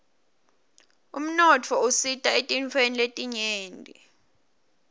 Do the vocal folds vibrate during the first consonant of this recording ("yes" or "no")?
yes